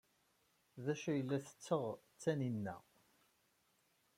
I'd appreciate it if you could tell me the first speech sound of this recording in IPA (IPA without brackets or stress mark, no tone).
ð